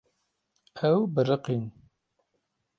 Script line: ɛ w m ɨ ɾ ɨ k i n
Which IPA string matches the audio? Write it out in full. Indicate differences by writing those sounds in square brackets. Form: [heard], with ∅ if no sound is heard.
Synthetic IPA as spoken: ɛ w [b] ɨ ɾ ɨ [q] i n

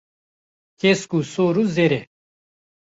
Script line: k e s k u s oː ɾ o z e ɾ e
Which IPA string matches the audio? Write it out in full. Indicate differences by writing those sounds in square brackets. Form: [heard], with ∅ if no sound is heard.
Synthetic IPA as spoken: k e s k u s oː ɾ [u] z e ɾ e

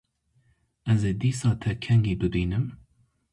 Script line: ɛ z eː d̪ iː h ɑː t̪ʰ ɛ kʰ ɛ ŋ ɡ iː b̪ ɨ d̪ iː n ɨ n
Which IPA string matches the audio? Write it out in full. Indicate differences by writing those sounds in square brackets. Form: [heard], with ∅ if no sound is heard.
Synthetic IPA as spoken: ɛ z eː d̪ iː [s] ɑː t̪ʰ ɛ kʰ ɛ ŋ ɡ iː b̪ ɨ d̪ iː n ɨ [m]

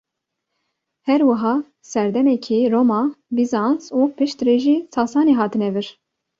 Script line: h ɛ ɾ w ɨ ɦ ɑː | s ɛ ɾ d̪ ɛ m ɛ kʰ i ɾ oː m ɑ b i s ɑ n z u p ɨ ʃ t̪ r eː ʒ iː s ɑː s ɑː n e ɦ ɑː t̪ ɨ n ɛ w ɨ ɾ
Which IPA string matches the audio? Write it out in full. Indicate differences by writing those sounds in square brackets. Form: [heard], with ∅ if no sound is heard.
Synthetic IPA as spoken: h ɛ ɾ w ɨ ɦ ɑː | s ɛ ɾ d̪ ɛ m ɛ kʰ i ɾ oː m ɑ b i [z] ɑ n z u p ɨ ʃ t̪ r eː ʒ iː s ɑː s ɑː n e ɦ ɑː t̪ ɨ n ɛ [v] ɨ ɾ

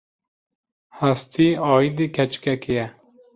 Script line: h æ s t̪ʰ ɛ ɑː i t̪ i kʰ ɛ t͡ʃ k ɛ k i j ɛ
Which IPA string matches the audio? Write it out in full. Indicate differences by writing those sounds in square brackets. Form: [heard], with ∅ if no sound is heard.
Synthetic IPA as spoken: h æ s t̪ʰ [i] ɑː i [d̪] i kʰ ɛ t͡ʃ k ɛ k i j ɛ

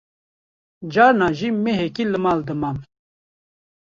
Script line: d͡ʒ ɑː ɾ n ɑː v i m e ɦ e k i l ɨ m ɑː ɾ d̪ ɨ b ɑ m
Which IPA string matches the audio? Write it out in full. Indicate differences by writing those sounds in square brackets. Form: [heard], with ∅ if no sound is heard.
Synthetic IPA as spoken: d͡ʒ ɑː ɾ n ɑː [ʒ] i m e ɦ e k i l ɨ m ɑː [l] d̪ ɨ [m] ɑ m

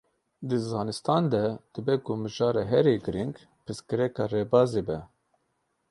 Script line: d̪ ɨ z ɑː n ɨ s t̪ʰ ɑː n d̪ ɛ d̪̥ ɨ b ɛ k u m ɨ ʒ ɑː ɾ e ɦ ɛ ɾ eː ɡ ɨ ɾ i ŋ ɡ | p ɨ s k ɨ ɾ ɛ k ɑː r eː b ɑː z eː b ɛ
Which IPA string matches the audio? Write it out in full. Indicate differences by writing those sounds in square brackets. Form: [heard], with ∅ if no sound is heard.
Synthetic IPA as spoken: d̪ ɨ z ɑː n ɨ s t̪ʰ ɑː n d̪ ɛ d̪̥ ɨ b ɛ k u m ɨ ʒ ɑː ɾ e ɦ ɛ ɾ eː ɡ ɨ ɾ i ŋ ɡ | p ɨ s k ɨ ɾ ɛ k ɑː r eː b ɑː z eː b ɛ

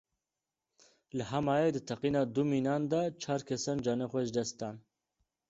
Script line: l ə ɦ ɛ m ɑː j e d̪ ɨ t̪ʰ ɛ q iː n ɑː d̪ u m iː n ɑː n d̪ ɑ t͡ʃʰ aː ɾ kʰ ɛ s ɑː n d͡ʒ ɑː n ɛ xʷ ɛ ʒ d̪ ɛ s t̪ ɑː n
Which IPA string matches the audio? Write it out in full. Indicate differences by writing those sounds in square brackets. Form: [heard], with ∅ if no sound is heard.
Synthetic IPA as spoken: l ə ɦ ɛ m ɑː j e d̪ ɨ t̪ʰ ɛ q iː n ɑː d̪ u m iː n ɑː n d̪ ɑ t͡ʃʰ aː ɾ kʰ ɛ s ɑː n d͡ʒ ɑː n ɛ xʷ ɛ ʒ d̪ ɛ s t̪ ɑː n

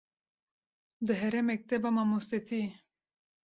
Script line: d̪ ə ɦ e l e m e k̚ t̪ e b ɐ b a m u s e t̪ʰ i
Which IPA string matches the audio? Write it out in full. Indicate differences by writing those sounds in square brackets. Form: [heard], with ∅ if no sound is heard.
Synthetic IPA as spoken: d̪ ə ɦ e [ɾ] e m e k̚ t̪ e b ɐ [m] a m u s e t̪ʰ i

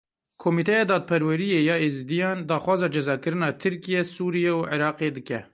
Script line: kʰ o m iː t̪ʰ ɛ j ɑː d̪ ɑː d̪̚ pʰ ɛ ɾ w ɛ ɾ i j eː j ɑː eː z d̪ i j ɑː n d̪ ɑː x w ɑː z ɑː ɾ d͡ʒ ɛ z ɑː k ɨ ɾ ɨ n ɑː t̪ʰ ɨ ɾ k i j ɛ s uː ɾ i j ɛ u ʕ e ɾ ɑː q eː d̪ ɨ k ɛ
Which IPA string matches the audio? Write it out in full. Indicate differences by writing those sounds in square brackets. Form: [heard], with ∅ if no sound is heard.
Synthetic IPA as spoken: kʰ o m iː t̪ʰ ɛ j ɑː d̪ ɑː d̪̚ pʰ ɛ ɾ w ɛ ɾ i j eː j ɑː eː z d̪ i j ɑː n d̪ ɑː x w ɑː z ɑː [∅] d͡ʒ ɛ z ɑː k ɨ ɾ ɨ n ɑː t̪ʰ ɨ ɾ k i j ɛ s uː ɾ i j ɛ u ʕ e ɾ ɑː q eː d̪ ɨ k ɛ

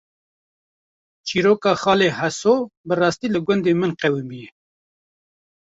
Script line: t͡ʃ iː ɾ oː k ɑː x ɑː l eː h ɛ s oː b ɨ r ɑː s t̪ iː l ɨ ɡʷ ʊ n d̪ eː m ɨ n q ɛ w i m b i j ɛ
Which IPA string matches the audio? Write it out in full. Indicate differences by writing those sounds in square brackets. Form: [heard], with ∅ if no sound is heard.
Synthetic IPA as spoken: t͡ʃ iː ɾ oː k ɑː x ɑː l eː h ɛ s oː b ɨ r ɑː s t̪ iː l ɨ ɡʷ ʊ n d̪ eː m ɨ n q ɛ w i m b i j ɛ

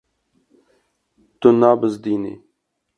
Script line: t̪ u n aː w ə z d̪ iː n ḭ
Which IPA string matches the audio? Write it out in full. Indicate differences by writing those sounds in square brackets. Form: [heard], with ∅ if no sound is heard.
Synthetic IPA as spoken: t̪ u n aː [b] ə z d̪ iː n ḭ

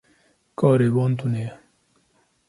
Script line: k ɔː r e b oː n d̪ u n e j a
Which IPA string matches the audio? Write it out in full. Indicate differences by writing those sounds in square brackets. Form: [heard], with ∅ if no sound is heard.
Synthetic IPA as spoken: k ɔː [ɾ] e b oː n [t̪] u n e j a

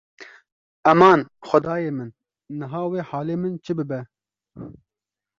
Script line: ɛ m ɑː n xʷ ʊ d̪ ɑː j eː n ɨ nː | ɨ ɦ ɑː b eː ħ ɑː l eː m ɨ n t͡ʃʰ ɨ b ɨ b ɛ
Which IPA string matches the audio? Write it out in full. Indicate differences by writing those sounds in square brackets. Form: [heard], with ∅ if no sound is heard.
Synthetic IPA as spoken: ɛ m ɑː n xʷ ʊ d̪ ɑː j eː [m] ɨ nː | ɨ ɦ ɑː [w] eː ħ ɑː l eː m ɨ n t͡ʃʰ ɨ b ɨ b ɛ

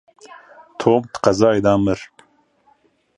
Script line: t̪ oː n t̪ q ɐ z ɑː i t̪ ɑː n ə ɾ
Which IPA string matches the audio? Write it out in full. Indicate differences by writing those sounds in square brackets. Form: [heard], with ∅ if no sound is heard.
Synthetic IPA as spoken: [t̪ʰ] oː [m] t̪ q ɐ z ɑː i [d̪] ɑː [m] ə ɾ

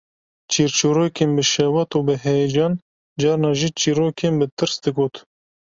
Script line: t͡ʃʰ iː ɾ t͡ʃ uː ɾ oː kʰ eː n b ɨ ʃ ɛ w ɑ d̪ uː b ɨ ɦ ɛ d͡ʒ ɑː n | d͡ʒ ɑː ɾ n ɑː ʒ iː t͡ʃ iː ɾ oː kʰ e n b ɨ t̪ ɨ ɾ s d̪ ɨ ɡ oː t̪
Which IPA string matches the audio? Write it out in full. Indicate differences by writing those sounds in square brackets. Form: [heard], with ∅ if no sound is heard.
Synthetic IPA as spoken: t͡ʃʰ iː ɾ t͡ʃ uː ɾ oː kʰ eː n b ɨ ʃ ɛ w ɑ [t̪] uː b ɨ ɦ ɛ d͡ʒ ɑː n | d͡ʒ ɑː ɾ n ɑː ʒ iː t͡ʃ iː ɾ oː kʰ e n b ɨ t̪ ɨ ɾ s d̪ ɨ ɡ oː t̪

